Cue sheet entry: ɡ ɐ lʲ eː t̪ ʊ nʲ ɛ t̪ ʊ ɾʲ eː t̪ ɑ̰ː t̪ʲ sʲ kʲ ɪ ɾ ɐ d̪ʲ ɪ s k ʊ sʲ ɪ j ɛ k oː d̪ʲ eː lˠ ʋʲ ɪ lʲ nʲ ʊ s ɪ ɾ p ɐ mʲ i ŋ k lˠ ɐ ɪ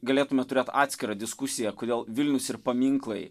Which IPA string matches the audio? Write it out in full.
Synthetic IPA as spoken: ɡ ɐ lʲ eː t̪ ʊ mʲ ɛ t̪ ʊ ɾʲ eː t̪ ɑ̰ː t̪ʲ sʲ kʲ ɪ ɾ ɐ d̪ʲ ɪ s k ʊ sʲ ɪ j ɛ k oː d̪ʲ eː lˠ ʋʲ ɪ lʲ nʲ ʊ s ɪ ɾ p ɐ mʲ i ŋ k lˠ ɐ ɪ